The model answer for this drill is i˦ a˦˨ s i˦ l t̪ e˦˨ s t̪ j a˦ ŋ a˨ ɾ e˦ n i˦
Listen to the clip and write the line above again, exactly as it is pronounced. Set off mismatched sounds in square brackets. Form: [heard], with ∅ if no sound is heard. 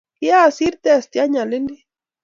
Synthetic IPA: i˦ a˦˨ s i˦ [ɾ] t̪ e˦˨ s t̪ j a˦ [ɲ] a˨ [l] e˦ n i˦